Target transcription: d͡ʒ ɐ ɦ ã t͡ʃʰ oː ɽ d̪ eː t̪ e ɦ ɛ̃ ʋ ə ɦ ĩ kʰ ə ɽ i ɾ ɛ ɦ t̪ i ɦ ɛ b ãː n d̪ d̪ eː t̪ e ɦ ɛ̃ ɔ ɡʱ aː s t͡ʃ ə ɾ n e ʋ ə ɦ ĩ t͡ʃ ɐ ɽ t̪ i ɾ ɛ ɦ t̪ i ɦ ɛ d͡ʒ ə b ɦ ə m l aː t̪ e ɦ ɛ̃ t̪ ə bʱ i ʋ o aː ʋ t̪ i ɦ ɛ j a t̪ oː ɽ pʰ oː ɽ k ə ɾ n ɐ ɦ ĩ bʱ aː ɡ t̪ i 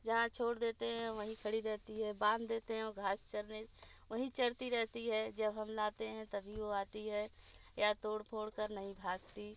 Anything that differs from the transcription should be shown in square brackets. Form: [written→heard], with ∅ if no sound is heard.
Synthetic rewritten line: d͡ʒ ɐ ɦ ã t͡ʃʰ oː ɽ d̪ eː t̪ e ɦ ɛ̃ ʋ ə ɦ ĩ kʰ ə ɽ i ɾ ɛ ɦ t̪ i ɦ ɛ b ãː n d̪ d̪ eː t̪ e ɦ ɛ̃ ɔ ɡʱ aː s t͡ʃ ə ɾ n e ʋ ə ɦ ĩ t͡ʃ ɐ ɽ t̪ i ɾ ɛ ɦ t̪ i ɦ ɛ d͡ʒ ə b ɦ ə m l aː t̪ e ɦ ɛ̃ t̪ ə bʱ i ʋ o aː [ʋ→∅] t̪ i ɦ ɛ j a t̪ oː ɽ pʰ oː ɽ k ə ɾ n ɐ ɦ ĩ bʱ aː ɡ t̪ i